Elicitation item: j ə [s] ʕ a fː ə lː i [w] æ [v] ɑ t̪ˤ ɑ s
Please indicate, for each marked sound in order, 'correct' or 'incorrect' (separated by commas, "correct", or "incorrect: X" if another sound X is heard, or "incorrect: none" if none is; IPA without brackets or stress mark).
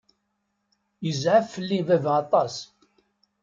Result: incorrect: z, incorrect: v, correct